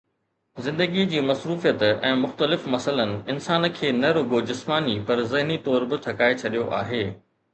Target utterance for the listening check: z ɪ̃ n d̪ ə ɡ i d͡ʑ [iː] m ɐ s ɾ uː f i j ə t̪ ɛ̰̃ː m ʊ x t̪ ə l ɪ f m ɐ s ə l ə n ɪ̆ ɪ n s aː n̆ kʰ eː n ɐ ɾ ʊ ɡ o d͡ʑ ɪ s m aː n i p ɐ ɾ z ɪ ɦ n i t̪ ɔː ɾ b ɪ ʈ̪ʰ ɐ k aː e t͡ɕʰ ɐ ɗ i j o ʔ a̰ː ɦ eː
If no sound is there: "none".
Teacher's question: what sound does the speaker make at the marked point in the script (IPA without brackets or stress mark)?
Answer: iː